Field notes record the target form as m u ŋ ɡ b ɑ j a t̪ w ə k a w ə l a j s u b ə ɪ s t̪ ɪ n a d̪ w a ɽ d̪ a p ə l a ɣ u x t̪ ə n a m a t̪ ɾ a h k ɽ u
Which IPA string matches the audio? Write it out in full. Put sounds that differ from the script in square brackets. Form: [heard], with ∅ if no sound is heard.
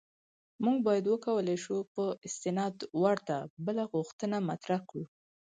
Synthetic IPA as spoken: m u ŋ ɡ b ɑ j a [d̪] w ə k a w ə l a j [ʃ] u [p] ə ɪ s t̪ ɪ n [ɑ] d̪ w a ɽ [t̪] a [b] ə l a ɣ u x t̪ ə n a m a t̪ ɾ a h k ɽ u